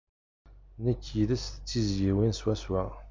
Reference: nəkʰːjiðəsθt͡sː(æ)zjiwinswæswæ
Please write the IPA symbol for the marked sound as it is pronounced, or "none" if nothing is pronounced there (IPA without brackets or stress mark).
i